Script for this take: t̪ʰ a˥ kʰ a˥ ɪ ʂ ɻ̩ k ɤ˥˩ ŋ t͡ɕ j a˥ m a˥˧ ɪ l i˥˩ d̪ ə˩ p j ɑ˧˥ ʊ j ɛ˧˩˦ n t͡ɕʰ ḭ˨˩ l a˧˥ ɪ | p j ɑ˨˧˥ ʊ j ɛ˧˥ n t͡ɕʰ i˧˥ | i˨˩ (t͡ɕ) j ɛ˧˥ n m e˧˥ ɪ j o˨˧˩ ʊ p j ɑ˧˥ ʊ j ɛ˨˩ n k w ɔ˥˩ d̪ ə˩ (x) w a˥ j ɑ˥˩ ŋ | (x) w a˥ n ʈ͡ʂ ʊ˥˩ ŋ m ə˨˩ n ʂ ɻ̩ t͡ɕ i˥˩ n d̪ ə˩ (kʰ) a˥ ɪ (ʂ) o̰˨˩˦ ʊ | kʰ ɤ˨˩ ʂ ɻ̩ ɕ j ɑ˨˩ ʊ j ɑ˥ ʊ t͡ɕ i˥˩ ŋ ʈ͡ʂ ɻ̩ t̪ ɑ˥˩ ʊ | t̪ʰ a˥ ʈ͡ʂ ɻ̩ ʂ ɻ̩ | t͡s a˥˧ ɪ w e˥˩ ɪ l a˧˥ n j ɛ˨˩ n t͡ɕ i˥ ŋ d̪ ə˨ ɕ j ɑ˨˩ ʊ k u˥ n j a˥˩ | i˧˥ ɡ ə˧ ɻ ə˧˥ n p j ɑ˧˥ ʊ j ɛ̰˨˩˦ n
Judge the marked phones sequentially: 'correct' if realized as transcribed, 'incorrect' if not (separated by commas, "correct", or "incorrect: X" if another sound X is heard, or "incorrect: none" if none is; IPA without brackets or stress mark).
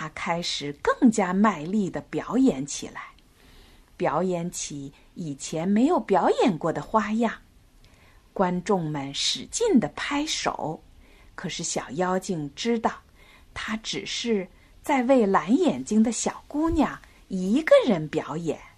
incorrect: t͡ɕʰ, correct, incorrect: k, incorrect: pʰ, correct